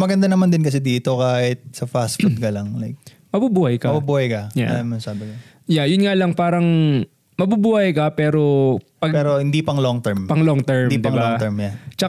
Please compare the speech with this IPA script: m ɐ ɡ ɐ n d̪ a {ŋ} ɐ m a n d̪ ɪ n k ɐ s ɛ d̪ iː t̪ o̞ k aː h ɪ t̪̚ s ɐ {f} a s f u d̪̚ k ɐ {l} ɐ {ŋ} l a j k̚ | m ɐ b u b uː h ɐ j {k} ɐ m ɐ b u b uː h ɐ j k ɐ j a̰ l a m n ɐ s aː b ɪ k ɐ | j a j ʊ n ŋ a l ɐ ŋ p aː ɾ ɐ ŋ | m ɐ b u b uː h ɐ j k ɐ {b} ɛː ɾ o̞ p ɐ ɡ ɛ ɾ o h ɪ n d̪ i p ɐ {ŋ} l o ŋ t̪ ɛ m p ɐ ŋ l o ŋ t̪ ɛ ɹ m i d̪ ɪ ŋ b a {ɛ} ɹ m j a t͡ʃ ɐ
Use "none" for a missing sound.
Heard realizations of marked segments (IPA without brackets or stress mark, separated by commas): n, f, l, ŋ, k, p, ŋ, ɛ